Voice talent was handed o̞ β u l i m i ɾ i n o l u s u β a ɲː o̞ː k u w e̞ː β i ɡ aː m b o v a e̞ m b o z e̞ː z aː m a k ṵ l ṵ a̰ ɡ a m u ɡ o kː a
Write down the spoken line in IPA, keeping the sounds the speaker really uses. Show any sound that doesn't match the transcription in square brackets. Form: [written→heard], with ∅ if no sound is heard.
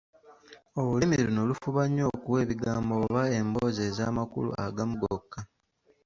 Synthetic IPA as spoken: o̞ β u l i m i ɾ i n o l u [s→f] u β a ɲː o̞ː k u w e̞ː β i ɡ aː m b o [v→β] a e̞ m b o z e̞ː z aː m a k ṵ l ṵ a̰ ɡ a m u ɡ o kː a